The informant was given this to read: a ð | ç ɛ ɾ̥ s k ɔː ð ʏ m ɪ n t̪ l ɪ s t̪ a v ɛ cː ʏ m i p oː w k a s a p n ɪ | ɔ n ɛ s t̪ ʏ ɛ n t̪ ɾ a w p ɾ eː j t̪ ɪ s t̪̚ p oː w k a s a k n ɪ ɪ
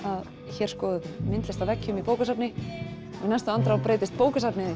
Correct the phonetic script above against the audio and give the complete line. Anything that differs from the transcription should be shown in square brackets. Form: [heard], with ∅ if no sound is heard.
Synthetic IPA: a ð | ç ɛ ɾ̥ s k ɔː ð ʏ m ɪ n t̪ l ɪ s t̪ a v ɛ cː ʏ m i p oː w k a s a p n ɪ | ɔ n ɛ s t̪ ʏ [a] n t̪ ɾ a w p ɾ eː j t̪ ɪ s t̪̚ p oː w k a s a [p] n ɪ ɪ